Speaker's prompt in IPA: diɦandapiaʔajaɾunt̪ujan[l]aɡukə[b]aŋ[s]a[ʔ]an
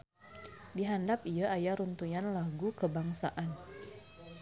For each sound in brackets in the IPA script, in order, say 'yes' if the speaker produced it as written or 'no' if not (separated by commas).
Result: yes, yes, yes, yes